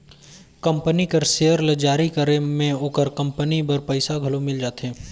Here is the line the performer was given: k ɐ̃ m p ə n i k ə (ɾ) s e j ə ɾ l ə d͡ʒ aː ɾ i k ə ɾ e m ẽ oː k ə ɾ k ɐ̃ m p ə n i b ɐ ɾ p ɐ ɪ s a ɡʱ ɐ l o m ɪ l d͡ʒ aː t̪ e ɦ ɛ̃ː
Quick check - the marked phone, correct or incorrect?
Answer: correct